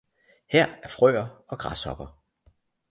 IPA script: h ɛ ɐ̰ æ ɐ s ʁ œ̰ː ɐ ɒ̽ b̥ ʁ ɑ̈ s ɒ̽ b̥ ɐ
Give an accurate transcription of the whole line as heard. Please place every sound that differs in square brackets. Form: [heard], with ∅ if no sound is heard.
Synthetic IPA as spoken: h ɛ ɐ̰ æ ɐ [f] ʁ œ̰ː ɐ ɒ̽ [ɡ̥] ʁ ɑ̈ s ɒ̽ b̥ ɐ